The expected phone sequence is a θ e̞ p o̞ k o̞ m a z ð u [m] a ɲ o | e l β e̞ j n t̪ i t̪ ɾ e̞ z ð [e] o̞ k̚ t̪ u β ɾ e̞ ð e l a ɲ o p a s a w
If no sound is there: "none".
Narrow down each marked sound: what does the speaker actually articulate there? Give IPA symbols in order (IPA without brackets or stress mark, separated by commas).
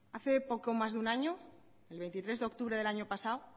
n, e